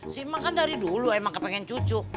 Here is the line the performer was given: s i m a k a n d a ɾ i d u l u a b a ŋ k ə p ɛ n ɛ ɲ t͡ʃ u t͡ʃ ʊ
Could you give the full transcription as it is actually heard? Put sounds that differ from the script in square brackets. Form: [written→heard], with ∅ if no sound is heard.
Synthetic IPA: s i m a k a n d a ɾ i d u l u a [b→m] a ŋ k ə p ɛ [n→ŋ] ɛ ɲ t͡ʃ u t͡ʃ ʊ